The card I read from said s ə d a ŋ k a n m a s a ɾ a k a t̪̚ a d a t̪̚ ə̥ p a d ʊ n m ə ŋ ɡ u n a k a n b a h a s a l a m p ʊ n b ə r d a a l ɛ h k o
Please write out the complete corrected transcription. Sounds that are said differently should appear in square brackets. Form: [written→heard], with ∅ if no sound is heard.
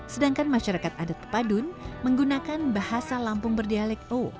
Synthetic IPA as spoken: s ə d a ŋ k a n m a [s→ʃ] a ɾ a k a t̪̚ a d a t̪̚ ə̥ p a d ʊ n m ə ŋ ɡ u n a k a n b a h a s a l a m p ʊ [n→ŋ] b ə r d [a→i] a l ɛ [h→∅] k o